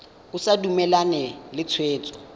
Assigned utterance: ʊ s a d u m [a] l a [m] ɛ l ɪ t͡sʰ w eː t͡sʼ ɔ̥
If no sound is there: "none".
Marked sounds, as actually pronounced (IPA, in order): ɛ, n

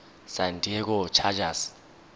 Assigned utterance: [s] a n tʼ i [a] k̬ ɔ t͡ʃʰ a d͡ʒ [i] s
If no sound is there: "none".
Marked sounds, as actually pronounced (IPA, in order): s, ɛ, a

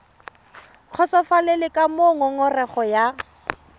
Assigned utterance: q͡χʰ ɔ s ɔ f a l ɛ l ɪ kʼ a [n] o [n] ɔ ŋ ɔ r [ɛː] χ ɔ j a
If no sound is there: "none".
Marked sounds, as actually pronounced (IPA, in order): m, ŋ, ɛ

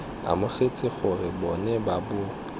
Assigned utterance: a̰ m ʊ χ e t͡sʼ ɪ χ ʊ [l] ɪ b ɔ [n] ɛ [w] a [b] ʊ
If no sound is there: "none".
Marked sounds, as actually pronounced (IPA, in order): r, n, b, b

